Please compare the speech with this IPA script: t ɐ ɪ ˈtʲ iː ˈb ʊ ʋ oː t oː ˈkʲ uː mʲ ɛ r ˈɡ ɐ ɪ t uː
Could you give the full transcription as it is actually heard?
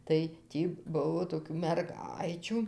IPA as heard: t ɐ ɪ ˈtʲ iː ˈb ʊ ʋ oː t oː ˈkʲ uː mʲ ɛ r ˈɡ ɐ ɪ t͡ʃʲ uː